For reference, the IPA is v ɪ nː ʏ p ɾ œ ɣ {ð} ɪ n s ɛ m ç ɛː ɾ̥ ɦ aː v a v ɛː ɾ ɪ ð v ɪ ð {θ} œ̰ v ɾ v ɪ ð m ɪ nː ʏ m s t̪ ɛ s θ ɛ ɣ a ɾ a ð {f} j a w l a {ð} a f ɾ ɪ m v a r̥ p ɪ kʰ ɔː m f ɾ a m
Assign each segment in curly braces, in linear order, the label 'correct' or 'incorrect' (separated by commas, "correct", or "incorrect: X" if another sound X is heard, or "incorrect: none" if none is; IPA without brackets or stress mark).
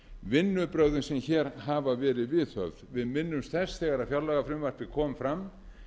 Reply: correct, correct, correct, incorrect: ɣ